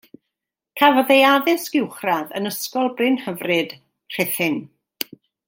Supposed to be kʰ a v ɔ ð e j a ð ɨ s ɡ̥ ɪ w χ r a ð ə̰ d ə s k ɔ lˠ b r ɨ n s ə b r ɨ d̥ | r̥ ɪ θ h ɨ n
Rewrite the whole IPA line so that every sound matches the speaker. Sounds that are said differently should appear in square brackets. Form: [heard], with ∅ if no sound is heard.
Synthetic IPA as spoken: kʰ a v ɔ ð e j a ð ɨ s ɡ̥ ɪ w χ r a ð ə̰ [n] ə s k ɔ lˠ b r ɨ n [h] ə [v] r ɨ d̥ | r̥ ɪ θ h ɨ n